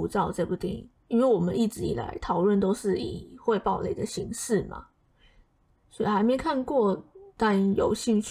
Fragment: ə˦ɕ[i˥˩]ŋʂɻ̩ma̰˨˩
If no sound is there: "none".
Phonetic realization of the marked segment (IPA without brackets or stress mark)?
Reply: i˧˥